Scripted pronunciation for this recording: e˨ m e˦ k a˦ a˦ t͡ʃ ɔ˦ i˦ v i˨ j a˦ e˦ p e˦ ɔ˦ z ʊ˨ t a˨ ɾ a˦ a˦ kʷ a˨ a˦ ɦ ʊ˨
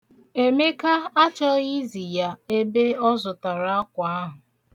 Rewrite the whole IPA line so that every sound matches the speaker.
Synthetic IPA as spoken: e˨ m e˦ k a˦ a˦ t͡ʃ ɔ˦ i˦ z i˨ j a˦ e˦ b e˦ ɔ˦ z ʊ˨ t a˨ ɾ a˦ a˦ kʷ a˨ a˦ ɦ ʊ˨